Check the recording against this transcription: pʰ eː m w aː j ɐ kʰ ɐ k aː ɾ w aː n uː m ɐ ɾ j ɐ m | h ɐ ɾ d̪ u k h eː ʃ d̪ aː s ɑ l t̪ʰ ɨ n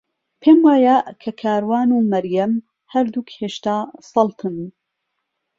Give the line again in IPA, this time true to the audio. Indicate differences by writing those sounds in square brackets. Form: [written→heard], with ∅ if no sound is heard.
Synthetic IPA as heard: pʰ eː m w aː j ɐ kʰ ɐ [k→kʰ] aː ɾ w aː n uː m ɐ ɾ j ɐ m | h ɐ ɾ d̪ u k h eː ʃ [d̪→t̪] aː s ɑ l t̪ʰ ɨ n